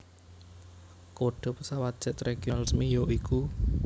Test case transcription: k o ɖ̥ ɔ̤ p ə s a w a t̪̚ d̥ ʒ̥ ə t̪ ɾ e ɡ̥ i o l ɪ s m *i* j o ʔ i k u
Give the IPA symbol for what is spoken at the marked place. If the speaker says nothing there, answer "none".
i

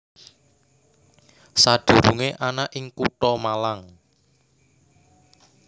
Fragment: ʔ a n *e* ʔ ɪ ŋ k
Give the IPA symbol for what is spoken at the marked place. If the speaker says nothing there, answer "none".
a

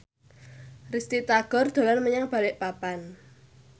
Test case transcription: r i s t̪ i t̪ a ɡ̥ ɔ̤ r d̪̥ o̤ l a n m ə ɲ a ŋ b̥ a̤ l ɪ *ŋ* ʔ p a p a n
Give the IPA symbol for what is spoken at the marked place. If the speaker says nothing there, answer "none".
none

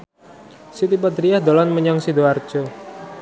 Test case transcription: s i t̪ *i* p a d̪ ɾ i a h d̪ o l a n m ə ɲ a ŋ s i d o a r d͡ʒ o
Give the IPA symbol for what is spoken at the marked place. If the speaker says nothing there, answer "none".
i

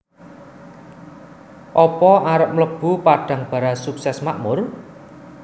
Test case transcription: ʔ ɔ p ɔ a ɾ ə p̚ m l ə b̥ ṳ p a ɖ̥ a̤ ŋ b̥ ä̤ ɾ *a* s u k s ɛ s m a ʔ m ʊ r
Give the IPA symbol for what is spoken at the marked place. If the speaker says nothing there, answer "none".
a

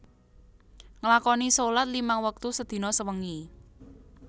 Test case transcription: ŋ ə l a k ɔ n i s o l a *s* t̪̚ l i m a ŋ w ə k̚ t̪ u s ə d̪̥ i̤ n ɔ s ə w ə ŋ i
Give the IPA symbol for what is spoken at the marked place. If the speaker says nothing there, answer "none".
none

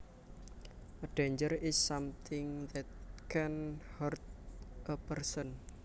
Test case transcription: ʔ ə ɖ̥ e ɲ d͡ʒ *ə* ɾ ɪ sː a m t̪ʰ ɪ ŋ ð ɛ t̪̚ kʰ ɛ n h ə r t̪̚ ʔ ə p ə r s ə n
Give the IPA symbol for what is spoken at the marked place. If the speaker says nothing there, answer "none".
ə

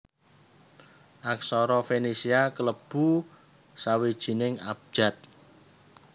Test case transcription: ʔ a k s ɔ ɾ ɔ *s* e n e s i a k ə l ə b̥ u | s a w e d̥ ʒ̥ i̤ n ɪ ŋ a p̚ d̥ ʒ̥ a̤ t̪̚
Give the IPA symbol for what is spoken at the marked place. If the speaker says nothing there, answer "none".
f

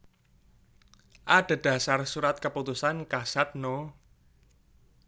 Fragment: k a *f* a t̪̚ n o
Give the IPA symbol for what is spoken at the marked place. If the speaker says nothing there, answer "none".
s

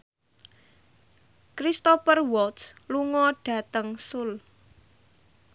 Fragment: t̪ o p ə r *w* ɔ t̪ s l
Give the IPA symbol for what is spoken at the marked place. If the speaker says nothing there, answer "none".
w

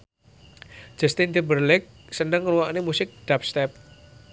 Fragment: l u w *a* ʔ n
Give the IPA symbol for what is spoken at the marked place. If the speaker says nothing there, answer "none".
a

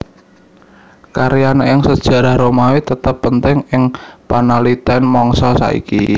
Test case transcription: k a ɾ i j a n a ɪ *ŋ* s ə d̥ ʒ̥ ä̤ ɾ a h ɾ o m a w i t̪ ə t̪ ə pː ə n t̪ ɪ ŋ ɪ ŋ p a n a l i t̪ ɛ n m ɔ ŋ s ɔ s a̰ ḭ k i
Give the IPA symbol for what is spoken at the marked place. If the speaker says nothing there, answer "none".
ŋ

